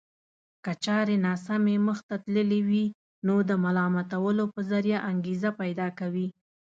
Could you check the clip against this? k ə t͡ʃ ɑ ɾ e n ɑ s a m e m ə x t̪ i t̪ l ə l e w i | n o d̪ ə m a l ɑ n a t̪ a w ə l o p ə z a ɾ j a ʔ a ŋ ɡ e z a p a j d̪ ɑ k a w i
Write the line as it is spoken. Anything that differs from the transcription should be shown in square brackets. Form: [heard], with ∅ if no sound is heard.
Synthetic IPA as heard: k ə t͡ʃ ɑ ɾ e n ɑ s a m e m ə x t̪ [a] t̪ l ə l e w i | n o d̪ ə m a l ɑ [m] a t̪ a w ə l o p ə z a ɾ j a ʔ a ŋ ɡ e z a p a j d̪ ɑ k a w i